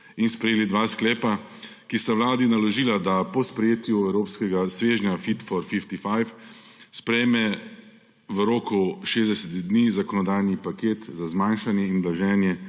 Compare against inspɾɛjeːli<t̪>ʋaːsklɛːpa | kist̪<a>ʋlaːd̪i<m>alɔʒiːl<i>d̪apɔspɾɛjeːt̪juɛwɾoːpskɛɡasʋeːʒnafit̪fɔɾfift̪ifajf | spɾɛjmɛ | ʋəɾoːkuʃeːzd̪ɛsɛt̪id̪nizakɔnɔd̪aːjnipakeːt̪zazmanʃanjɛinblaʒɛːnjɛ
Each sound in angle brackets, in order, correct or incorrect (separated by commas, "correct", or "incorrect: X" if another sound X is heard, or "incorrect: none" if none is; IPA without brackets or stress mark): incorrect: d̪, correct, incorrect: n, incorrect: a